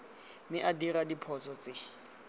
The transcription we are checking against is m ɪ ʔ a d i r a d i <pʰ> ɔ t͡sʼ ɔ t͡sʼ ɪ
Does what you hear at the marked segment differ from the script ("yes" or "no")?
no